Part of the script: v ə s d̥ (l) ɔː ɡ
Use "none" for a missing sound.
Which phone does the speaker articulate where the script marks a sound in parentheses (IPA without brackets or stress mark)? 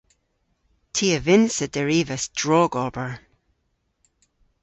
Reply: ɹ